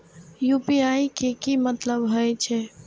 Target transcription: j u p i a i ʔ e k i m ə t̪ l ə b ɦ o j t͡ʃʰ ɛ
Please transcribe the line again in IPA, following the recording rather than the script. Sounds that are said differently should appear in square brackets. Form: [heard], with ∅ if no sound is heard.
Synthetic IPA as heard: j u p i a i [k] e k i m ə t̪ l ə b ɦ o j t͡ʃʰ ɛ